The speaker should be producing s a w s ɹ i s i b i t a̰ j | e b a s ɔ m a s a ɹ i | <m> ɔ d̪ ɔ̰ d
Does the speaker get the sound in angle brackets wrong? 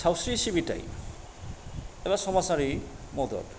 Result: no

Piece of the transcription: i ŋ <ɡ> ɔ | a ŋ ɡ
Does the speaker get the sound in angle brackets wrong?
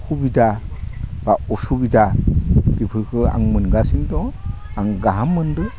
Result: yes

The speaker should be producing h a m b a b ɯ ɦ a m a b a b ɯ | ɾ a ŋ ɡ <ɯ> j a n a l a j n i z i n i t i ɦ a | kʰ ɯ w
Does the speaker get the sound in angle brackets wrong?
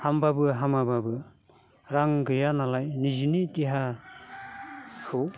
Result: no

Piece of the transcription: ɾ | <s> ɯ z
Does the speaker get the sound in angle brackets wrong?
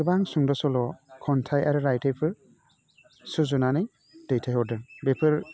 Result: no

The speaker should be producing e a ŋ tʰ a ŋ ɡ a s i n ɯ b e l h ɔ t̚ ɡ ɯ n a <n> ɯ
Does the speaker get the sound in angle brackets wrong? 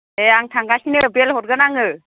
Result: yes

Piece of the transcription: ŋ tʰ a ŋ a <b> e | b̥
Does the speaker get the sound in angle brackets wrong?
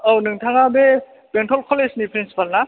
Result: no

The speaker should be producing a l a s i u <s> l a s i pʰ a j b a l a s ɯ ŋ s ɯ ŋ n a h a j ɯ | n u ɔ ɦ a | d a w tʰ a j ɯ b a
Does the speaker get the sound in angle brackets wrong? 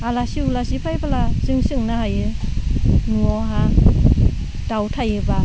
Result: yes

